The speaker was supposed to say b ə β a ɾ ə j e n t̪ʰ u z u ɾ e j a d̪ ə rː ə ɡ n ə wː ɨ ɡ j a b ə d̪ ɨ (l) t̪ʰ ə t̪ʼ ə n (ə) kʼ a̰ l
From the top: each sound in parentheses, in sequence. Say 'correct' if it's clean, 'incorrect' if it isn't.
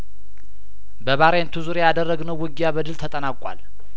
correct, incorrect: a

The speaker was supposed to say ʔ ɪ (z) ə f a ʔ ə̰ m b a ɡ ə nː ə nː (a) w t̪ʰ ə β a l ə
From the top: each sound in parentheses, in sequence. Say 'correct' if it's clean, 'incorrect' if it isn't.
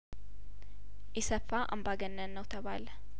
incorrect: s, incorrect: ə

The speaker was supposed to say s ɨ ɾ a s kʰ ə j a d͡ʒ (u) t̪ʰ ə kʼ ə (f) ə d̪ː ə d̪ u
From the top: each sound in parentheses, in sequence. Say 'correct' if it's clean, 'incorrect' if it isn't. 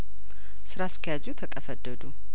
correct, correct

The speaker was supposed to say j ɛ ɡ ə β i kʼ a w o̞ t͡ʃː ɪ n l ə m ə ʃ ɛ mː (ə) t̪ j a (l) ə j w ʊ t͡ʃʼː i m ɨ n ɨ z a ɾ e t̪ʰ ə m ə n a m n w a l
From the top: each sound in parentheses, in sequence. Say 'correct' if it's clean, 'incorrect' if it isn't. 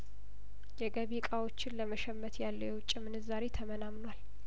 correct, incorrect: lː

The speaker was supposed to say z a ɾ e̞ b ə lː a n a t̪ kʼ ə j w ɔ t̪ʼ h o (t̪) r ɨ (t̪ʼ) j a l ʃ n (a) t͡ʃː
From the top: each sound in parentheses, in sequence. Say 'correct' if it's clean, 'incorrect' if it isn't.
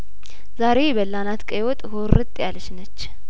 incorrect: none, correct, incorrect: ə

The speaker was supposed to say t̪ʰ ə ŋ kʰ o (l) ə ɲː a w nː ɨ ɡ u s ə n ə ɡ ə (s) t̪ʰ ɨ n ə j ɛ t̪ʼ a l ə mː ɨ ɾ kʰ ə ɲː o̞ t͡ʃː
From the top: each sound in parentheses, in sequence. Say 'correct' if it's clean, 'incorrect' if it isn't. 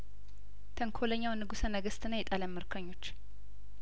correct, correct

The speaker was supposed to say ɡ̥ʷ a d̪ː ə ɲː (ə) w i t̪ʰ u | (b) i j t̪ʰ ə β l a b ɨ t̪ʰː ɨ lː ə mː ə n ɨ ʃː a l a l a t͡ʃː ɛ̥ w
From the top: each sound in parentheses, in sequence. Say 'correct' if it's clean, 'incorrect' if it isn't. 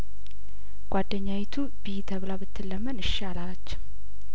incorrect: a, correct

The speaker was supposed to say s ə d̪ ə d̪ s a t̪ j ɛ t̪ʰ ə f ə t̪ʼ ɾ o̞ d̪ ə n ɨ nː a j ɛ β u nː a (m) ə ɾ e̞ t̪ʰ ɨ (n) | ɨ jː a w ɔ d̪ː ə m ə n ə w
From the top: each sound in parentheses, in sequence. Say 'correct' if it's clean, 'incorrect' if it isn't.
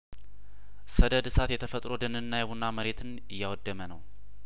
correct, correct

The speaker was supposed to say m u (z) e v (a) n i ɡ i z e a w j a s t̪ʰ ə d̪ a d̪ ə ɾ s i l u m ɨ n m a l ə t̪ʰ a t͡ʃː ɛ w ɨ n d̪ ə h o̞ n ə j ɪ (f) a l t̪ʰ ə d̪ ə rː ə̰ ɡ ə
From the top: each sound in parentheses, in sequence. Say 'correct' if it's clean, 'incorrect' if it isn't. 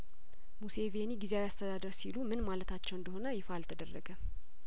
incorrect: s, incorrect: e, correct

